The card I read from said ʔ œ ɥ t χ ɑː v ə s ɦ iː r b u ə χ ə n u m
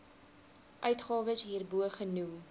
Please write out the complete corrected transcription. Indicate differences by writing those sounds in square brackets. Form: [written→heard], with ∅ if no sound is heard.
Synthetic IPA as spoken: ʔ œ ɥ t χ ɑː v ə s ɦ iː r b u ə χ ə n u m